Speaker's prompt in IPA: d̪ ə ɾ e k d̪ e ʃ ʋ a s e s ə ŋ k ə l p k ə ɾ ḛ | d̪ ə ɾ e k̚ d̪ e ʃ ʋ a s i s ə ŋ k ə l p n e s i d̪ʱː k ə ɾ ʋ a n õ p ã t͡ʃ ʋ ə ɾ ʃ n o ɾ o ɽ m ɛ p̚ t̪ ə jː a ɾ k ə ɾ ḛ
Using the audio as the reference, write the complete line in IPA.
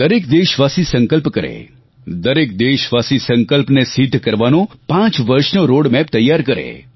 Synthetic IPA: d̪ ə ɾ e k d̪ e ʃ ʋ a s i s ə ŋ k ə l p k ə ɾ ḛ | d̪ ə ɾ e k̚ d̪ e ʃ ʋ a s i s ə ŋ k ə l p n e s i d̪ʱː k ə ɾ ʋ a n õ p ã t͡ʃ ʋ ə ɾ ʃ n o ɾ o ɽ m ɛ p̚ t̪ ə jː a ɾ k ə ɾ ḛ